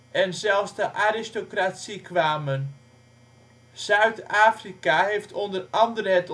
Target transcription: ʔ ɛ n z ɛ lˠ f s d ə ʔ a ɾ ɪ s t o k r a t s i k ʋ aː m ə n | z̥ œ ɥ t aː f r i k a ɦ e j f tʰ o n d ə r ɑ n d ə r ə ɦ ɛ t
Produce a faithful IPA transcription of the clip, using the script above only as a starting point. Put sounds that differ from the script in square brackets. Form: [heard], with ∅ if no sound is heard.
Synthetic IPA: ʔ ɛ n z ɛ lˠ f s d ə ʔ a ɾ ɪ s t o k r a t s i k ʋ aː m ə n | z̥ œ ɥ t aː f r i k a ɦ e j f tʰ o n d ə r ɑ n d ə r ə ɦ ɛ t